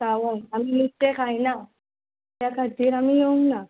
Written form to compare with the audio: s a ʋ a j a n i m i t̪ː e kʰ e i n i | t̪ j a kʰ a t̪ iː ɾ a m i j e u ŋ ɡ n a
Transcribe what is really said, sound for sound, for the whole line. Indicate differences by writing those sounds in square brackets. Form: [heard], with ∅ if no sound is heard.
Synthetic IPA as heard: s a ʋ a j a [m] i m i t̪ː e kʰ [a] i n [a] | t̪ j a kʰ a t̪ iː ɾ a m i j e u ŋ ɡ n a